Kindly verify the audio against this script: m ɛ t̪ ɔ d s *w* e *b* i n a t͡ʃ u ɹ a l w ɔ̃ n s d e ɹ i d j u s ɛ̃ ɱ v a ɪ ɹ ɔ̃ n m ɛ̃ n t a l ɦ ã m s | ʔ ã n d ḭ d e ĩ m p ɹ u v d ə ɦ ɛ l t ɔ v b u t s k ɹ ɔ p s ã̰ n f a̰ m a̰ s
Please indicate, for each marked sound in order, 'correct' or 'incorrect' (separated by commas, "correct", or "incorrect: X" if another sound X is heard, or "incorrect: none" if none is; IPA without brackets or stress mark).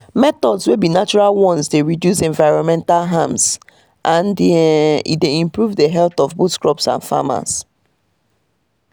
correct, correct